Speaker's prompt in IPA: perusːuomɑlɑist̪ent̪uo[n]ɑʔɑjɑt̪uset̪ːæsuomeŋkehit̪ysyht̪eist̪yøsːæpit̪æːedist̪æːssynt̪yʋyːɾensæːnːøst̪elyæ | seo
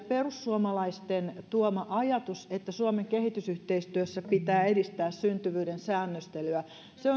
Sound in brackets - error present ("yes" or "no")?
yes